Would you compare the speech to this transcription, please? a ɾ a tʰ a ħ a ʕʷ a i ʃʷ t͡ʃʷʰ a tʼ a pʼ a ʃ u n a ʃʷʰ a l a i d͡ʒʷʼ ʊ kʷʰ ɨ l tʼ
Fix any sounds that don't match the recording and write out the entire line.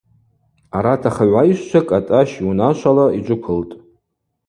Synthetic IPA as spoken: a ɾ a tʰ a χ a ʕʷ a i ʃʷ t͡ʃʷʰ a kʼ a tʼ a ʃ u n a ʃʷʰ a l a i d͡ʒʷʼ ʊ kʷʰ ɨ l tʼ